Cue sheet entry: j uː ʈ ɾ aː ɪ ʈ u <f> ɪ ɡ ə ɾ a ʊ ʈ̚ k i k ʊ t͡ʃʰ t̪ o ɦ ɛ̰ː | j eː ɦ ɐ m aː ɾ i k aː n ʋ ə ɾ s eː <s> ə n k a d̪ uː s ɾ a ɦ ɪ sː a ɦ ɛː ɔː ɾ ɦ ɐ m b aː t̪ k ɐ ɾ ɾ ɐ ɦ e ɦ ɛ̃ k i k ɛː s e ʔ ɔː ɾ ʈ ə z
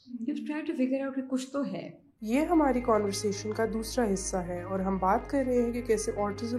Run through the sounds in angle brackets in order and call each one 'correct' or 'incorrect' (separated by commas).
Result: correct, incorrect